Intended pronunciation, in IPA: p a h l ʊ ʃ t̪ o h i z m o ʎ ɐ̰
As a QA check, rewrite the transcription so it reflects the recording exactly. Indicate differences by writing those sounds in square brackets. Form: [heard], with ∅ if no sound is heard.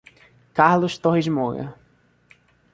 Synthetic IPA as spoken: [k] a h l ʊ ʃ t̪ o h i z m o [j] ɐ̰